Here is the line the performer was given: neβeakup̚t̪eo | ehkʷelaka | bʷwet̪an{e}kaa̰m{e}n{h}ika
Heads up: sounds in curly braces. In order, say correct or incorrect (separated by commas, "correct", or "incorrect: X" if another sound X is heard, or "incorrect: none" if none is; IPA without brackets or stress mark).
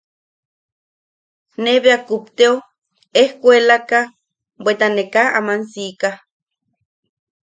correct, incorrect: a, incorrect: s